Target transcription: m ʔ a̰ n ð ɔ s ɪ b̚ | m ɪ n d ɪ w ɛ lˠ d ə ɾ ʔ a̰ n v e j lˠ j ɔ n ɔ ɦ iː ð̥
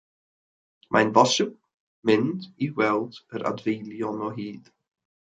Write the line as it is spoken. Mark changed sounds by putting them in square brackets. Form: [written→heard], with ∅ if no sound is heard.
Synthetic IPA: m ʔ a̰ n [ð→v] ɔ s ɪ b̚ | m ɪ n d [ɪ→i] w ɛ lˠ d ə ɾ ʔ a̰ [n→d] v e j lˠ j ɔ n ɔ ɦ iː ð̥